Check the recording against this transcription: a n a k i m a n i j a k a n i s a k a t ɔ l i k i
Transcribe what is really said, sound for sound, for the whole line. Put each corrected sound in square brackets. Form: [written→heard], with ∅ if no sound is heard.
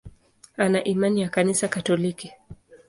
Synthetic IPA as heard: a n a [k→ʔ] i m a n i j a k a n i s a k a t ɔ l i k i